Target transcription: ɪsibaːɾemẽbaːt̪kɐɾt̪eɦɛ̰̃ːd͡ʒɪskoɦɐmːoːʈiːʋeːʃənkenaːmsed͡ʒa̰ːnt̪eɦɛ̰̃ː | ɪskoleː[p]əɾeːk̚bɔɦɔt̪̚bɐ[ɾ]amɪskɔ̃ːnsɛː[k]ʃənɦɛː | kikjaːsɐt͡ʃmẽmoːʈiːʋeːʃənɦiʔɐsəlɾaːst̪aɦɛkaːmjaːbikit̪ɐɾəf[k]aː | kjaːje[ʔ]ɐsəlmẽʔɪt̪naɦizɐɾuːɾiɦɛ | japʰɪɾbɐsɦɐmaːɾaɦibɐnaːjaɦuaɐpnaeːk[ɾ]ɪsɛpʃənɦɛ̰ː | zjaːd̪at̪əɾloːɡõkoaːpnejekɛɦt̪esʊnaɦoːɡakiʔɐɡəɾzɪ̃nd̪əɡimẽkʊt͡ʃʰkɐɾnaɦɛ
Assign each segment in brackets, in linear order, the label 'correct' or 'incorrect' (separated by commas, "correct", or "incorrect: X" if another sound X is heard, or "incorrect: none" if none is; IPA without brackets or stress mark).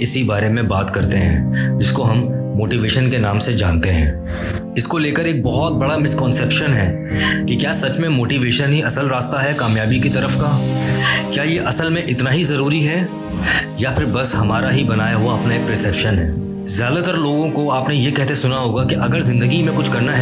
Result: incorrect: k, incorrect: ɽ, incorrect: p, correct, correct, correct